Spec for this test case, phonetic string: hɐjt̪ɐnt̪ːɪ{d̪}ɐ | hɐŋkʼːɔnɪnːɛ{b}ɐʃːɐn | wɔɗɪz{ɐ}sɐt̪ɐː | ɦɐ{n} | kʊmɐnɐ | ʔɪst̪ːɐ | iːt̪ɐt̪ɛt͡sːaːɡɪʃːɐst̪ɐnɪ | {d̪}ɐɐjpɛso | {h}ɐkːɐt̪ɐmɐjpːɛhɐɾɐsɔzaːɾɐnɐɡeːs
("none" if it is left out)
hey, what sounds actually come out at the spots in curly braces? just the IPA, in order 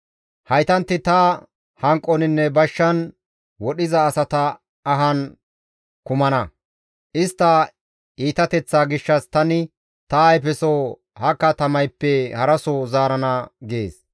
t̪, b, ɐː, n, t̪, h

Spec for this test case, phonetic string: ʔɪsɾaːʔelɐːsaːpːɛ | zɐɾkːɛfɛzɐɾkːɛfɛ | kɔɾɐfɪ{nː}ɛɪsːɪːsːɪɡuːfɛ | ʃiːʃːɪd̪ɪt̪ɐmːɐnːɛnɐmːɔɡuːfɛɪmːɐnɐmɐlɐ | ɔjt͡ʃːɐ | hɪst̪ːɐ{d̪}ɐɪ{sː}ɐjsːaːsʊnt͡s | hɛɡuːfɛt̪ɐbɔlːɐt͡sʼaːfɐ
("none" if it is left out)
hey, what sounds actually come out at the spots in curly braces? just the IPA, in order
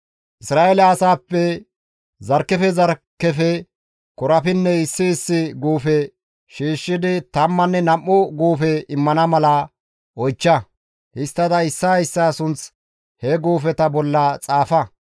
nː, d̪, sː

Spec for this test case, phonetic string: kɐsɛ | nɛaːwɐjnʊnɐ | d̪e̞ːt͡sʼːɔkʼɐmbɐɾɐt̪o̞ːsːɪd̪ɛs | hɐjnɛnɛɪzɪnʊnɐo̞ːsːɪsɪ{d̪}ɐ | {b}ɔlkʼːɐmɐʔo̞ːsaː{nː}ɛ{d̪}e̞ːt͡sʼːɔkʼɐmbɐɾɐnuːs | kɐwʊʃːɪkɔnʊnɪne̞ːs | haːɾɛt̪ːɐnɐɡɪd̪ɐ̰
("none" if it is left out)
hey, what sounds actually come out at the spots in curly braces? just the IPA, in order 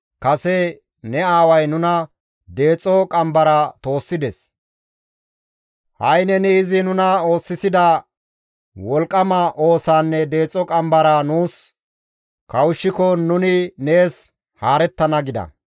d̪, w, nː, d̪

